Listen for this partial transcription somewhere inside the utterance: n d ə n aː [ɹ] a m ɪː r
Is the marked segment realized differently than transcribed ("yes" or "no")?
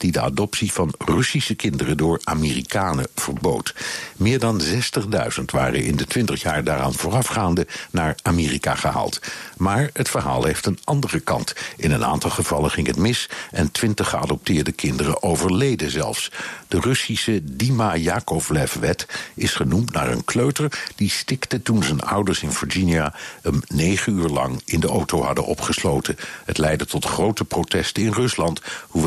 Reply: no